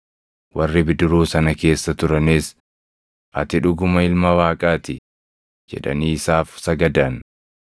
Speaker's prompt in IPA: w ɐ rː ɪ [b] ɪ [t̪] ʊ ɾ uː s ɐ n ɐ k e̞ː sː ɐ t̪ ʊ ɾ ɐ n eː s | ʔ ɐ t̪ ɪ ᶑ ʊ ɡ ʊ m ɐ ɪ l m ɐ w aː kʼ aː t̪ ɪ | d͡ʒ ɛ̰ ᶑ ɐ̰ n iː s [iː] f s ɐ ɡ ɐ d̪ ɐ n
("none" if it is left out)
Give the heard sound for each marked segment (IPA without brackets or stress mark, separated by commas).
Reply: b, d̪, aː